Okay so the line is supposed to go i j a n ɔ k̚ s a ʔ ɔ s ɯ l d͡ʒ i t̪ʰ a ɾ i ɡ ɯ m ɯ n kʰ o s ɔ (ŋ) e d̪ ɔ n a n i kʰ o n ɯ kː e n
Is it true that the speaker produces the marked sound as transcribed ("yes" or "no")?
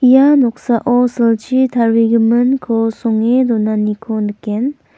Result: yes